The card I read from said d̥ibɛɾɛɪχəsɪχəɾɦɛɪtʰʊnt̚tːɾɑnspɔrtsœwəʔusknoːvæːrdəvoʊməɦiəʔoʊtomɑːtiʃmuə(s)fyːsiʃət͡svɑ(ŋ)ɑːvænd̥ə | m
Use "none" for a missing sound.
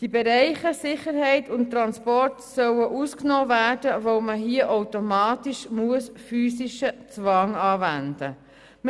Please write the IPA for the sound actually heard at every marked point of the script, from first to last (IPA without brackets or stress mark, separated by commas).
s, ŋ